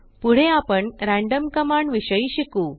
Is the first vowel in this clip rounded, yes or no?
yes